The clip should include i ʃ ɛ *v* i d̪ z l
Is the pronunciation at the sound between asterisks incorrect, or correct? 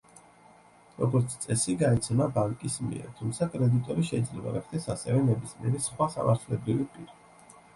incorrect